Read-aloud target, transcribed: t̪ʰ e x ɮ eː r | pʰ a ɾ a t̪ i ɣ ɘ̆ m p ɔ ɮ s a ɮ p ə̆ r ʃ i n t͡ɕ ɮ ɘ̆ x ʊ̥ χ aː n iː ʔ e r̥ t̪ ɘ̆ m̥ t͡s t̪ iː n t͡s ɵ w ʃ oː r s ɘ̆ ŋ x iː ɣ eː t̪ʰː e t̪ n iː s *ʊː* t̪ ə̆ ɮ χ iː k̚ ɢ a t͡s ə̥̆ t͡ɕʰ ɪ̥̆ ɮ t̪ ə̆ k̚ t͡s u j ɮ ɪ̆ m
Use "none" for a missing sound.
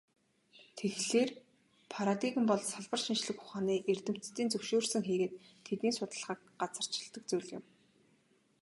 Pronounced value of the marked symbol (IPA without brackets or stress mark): ʊ